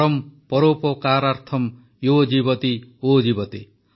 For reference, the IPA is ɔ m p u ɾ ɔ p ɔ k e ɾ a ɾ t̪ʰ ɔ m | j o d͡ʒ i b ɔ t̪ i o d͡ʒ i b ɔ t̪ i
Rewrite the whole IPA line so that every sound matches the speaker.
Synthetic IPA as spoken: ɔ m p ɔ ɾ o p ɔ k a ɾ a ɾ t̪ʰ ɔ m | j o d͡ʒ i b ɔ t̪ i o d͡ʒ i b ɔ t̪ i